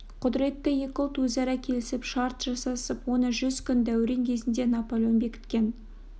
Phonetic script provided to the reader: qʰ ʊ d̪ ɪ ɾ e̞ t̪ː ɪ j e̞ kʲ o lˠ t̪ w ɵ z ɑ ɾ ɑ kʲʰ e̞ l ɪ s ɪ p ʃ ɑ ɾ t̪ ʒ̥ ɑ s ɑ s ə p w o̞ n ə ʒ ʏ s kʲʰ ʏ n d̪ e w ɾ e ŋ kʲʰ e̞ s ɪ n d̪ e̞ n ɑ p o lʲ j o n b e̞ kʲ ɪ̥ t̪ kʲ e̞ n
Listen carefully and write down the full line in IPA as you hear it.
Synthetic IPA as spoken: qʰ ʊ d̪ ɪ ɾ e̞ t̪ː ɪ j e̞ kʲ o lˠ t̪ w ɵ z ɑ ɾ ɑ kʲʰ e̞ l ɪ s ɪ p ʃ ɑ ɾ t̪ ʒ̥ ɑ s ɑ s ə p w o̞ n ə ʒ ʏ z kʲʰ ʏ n d̪ æ w ɾ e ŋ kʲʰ e̞ z ɪ n d̪ e̞ n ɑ p o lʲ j o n b e̞ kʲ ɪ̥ t̪ kʲ e̞ n